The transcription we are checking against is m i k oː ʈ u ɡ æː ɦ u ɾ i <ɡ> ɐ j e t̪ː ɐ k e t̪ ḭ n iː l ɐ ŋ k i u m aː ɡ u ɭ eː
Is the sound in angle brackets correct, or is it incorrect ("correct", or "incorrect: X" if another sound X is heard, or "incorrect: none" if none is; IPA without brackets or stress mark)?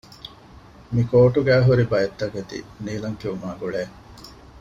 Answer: incorrect: b